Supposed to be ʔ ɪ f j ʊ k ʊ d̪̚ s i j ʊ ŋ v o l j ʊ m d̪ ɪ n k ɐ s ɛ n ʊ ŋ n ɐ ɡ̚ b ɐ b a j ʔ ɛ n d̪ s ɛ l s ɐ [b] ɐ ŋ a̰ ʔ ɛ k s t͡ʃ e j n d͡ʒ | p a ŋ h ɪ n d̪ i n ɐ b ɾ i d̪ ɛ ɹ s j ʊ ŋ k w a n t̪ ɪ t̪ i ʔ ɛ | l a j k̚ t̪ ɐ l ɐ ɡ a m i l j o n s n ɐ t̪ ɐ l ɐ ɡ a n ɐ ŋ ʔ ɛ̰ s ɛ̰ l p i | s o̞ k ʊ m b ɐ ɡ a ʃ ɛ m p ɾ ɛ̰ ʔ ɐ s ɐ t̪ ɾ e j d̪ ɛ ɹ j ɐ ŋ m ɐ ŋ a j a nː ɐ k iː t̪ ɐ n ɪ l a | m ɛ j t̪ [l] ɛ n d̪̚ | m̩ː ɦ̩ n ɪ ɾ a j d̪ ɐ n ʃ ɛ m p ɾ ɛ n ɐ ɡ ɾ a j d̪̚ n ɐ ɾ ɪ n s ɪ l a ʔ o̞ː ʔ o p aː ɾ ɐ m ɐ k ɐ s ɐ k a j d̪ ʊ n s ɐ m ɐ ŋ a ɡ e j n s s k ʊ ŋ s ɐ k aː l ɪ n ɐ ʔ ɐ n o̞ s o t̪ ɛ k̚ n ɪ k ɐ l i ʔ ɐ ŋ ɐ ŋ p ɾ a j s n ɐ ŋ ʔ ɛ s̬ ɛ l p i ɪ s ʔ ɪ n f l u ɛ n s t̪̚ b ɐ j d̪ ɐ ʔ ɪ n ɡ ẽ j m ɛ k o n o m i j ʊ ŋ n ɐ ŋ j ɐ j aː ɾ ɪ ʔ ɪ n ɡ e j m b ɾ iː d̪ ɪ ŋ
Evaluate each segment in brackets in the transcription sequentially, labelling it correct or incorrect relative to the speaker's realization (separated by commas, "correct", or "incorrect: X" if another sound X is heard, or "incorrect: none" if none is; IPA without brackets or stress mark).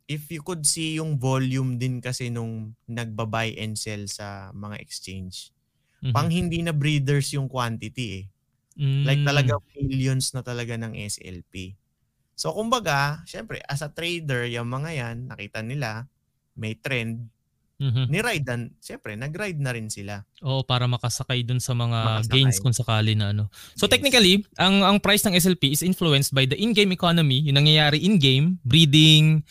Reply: incorrect: m, incorrect: ɾ